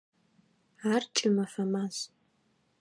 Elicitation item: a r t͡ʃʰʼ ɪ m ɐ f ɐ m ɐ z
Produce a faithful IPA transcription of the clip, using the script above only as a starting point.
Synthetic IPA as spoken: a r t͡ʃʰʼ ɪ m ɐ f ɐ m a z